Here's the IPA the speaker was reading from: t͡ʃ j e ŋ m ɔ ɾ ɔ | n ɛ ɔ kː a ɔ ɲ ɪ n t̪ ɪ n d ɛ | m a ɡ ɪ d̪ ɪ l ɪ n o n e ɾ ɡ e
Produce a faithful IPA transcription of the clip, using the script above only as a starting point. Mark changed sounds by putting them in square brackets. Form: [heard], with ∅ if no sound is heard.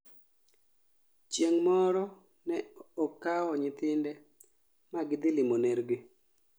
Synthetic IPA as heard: t͡ʃ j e ŋ m ɔ ɾ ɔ | n ɛ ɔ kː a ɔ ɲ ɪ [∅] t̪ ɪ n d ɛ | m a ɡ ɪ d̪ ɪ l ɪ [m] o n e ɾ ɡ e

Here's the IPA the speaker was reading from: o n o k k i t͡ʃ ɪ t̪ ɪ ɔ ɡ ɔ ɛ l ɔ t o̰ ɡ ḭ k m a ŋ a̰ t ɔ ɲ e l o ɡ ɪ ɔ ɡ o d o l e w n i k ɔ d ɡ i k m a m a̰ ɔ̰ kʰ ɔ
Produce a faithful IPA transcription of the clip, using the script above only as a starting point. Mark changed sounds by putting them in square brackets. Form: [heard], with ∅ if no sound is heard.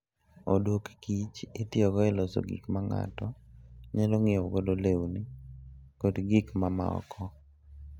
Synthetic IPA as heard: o [d] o k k i t͡ʃ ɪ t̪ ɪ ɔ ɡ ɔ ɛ l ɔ [s] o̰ ɡ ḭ k m a ŋ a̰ t ɔ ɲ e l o [ŋ] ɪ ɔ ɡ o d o l e w n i k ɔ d ɡ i k m a m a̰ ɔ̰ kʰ ɔ

